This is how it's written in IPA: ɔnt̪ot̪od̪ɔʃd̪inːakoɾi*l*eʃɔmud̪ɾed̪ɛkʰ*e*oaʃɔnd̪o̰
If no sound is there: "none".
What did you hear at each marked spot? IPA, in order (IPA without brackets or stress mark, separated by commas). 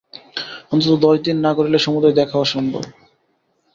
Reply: l, a